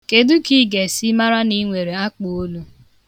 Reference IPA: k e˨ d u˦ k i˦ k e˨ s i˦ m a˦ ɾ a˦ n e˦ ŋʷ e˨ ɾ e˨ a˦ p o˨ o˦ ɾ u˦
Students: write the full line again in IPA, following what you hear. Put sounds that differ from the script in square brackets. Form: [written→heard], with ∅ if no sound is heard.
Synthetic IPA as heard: k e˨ d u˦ k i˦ [k→ɡ] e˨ s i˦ m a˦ ɾ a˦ n [e˦→i˦] ŋʷ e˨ ɾ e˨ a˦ [p→k͡p] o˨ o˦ [ɾ→l] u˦